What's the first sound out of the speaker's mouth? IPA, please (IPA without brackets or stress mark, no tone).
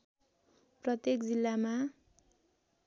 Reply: p